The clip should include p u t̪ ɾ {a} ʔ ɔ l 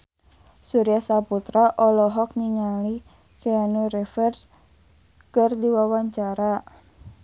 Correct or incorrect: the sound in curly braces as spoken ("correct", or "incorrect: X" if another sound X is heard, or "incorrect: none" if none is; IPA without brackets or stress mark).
correct